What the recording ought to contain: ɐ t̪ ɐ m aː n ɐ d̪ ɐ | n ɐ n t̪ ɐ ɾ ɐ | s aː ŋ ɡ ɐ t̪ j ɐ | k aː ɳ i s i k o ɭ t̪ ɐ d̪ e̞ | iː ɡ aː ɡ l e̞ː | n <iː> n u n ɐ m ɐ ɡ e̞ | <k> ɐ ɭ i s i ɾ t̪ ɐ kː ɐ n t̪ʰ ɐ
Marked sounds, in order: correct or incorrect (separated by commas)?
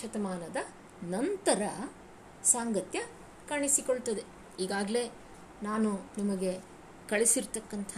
incorrect, correct